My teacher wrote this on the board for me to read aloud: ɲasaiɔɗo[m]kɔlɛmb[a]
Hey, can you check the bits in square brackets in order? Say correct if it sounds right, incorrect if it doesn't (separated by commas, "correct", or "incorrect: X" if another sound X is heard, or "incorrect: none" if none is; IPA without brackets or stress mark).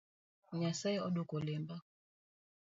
incorrect: none, correct